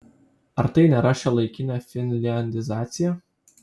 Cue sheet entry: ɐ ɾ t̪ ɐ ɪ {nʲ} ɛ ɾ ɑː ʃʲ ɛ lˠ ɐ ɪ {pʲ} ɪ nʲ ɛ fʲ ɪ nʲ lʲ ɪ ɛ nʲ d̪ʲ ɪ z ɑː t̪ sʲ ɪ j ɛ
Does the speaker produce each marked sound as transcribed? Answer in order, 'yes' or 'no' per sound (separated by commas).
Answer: yes, no